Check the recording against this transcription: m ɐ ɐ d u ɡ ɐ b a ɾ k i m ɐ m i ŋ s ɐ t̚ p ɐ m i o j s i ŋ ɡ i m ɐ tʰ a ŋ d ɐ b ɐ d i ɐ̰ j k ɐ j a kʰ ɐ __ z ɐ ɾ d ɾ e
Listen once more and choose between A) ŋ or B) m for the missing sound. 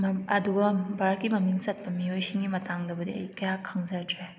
A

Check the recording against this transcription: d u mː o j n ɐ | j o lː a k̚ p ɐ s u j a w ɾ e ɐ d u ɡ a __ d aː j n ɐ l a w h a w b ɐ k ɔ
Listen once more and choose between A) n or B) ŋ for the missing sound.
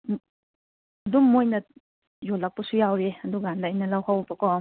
A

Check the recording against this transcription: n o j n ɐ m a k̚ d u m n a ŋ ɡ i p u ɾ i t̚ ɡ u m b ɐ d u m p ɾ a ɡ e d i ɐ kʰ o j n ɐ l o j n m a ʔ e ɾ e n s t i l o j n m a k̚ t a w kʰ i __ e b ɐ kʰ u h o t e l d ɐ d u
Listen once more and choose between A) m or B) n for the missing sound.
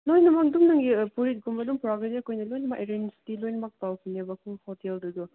B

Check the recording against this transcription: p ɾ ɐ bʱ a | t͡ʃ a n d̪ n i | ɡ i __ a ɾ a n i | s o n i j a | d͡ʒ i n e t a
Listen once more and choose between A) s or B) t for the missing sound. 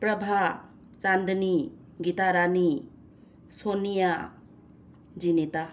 B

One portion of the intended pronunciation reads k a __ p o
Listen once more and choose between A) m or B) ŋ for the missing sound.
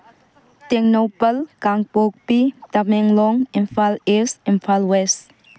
B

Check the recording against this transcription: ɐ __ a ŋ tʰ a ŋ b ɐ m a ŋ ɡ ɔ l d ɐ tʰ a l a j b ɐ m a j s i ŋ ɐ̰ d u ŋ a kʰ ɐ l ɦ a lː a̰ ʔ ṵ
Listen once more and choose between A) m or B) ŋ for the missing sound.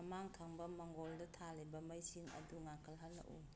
A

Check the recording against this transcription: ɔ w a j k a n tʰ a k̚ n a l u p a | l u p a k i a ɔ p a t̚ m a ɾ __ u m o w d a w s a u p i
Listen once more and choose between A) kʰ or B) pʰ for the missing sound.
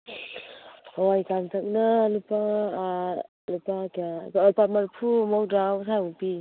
B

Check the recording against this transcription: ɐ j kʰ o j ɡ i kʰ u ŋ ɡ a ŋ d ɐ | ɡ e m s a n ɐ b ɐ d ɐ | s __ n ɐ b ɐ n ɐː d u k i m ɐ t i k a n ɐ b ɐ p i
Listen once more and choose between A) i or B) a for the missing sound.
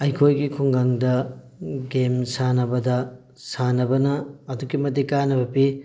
B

